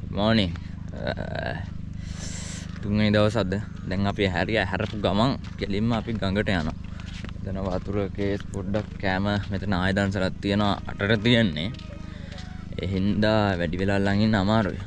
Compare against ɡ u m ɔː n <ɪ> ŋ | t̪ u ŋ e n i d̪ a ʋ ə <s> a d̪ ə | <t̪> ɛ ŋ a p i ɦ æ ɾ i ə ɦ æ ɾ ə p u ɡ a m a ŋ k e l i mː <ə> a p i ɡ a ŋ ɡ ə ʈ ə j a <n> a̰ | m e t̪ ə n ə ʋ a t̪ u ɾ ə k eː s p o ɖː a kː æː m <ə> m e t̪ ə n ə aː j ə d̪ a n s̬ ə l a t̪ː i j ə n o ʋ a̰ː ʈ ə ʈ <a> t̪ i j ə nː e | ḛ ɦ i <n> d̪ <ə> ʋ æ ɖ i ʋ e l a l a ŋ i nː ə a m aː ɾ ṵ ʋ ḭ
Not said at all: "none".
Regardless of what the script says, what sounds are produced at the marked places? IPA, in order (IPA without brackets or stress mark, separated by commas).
i, s, d̪, ə, n, ə, ə, n, a